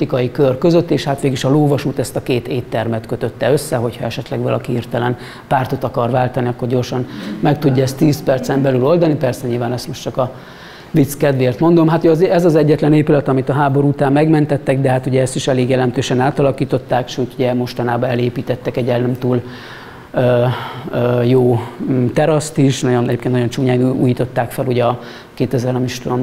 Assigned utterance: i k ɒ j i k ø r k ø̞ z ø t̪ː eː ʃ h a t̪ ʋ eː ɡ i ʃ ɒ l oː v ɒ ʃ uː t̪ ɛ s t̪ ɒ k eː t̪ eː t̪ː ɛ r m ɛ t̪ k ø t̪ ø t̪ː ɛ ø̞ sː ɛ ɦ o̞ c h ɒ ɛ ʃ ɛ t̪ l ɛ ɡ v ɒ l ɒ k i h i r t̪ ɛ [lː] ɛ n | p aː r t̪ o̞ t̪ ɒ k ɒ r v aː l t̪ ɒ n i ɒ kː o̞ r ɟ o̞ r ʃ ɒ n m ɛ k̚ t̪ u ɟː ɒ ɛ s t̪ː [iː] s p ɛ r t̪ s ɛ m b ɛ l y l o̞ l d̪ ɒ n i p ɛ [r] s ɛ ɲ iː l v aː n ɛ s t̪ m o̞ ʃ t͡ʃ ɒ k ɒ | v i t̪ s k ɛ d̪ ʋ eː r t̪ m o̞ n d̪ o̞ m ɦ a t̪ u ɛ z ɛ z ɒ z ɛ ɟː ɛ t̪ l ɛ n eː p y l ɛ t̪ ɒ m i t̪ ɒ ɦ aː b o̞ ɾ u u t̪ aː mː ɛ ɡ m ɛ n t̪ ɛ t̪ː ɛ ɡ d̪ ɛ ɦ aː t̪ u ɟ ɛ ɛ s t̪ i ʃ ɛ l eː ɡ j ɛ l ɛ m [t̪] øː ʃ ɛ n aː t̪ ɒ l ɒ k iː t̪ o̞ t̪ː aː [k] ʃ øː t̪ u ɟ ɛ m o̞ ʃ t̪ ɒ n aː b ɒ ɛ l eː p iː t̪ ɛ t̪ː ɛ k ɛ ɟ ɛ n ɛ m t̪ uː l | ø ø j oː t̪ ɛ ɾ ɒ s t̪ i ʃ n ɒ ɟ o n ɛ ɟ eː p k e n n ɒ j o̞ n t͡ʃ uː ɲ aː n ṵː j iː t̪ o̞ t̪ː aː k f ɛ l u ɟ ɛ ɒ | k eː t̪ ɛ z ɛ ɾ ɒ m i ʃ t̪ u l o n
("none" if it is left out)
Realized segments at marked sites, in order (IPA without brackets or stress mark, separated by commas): l, iː, r, t̪, k